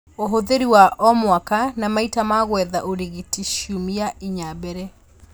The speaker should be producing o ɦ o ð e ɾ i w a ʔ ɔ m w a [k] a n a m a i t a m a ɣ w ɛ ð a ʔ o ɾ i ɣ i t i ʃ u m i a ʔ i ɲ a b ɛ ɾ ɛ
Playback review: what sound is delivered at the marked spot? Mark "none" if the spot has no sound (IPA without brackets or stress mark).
k